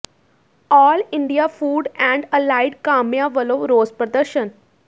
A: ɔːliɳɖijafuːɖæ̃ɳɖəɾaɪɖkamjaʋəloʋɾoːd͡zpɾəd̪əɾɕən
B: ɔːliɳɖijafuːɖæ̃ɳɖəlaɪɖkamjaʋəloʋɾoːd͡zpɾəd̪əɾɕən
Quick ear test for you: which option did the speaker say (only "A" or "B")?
B